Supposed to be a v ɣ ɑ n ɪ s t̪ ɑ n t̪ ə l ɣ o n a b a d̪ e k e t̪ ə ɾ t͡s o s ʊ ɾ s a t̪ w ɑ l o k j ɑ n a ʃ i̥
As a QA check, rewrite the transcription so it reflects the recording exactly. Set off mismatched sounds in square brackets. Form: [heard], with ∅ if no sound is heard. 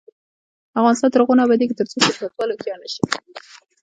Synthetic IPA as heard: a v ɣ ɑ n ɪ s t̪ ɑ n t̪ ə [ɾ] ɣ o n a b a d̪ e k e t̪ ə ɾ t͡s o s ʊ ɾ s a t̪ w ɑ l o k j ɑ n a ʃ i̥